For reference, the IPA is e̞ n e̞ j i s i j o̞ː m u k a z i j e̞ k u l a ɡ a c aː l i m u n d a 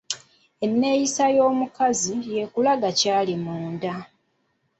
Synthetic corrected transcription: e̞ nː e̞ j i s a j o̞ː m u k a z i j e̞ k u l a ɡ a c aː l i m uː n d a